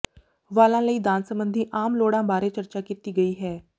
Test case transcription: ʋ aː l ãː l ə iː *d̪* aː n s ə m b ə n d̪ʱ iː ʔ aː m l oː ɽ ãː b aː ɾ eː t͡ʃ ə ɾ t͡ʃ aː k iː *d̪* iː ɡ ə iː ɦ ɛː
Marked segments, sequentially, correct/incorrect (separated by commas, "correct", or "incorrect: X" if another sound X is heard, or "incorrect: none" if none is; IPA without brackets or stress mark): correct, incorrect: t̪